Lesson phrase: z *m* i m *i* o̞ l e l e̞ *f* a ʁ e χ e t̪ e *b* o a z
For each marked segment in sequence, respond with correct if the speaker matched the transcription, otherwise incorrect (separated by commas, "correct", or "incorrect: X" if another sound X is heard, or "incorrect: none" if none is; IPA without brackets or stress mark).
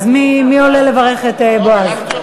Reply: correct, correct, incorrect: v, correct